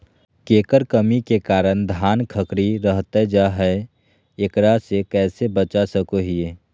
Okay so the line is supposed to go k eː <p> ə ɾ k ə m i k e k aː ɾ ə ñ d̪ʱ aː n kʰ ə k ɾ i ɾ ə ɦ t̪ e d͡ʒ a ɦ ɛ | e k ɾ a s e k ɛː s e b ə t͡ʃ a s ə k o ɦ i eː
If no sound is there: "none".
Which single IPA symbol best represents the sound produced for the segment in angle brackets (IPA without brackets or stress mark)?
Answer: k